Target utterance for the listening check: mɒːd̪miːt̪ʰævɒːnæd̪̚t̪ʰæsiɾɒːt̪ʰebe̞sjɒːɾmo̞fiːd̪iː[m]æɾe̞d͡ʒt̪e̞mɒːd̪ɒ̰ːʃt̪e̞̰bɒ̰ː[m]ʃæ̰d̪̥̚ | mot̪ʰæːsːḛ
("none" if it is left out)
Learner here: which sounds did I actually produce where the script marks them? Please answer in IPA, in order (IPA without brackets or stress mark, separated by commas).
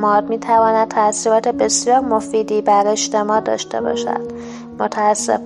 b, none